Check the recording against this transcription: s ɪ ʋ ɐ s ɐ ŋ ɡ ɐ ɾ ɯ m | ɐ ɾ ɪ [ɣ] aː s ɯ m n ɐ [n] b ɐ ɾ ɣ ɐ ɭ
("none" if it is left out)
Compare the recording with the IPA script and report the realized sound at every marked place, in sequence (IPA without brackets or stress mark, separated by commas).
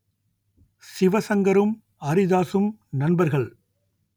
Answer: ð, n